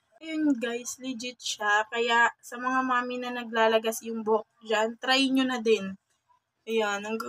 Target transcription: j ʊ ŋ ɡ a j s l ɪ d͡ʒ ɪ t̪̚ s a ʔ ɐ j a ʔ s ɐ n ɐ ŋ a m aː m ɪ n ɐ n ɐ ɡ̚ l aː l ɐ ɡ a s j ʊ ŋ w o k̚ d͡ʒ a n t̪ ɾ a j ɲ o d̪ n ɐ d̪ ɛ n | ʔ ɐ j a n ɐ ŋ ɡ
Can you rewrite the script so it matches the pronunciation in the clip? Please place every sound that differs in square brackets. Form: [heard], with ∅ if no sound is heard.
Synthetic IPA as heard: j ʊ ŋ ɡ a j s l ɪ d͡ʒ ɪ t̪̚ [ʃ] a [k] ɐ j a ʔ s ɐ [m] ɐ ŋ a m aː m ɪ n ɐ n ɐ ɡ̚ l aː l ɐ ɡ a s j ʊ ŋ [b] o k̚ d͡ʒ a n t̪ ɾ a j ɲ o [∅] n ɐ d̪ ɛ n | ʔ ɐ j a n ɐ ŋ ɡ